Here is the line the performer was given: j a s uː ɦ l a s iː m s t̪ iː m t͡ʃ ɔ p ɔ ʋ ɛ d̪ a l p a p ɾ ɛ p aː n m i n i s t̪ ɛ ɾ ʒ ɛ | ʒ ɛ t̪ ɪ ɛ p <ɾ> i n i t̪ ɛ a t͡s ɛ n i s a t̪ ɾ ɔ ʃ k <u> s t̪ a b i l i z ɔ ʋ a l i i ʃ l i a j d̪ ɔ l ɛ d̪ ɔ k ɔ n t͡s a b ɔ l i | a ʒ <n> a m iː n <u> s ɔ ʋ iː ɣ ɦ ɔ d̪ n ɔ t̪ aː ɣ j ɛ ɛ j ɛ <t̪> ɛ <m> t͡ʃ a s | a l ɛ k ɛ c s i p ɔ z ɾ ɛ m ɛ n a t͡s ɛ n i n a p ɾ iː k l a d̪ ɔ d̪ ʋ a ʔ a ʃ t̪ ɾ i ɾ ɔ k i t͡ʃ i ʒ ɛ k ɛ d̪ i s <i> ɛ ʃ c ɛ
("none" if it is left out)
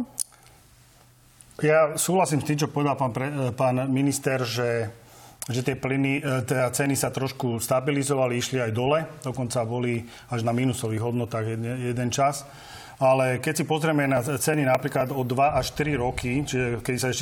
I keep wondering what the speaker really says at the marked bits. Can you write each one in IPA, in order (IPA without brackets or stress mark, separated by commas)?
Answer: l, u, n, u, d̪, n, a